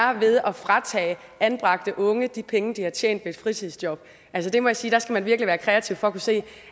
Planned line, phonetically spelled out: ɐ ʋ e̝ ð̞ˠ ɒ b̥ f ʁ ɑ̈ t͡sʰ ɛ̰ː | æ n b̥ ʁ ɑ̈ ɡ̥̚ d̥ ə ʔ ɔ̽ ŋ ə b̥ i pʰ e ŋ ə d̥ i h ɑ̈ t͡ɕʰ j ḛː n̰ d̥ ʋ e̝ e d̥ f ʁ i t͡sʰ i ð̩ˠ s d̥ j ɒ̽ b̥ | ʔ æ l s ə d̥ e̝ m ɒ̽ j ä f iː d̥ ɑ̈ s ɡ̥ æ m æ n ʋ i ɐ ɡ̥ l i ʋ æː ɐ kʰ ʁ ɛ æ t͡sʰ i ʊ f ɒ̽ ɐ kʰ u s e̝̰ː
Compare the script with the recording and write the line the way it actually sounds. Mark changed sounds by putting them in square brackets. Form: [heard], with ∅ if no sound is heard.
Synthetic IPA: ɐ ʋ e̝ ð̞ˠ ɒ [∅] f ʁ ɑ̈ t͡sʰ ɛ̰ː | æ n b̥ ʁ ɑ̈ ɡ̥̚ d̥ ə ʔ ɔ̽ ŋ ə [d̥] i pʰ e ŋ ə d̥ i h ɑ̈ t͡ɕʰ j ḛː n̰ d̥ ʋ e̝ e d̥ f ʁ i t͡sʰ i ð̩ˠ s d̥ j ɒ̽ b̥ | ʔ æ l s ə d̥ e̝ m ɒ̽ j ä [s] iː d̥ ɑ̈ s ɡ̥ æ m æ n ʋ i ɐ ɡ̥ l i ʋ æː ɐ kʰ ʁ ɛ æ t͡sʰ i ʊ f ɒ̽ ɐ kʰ u s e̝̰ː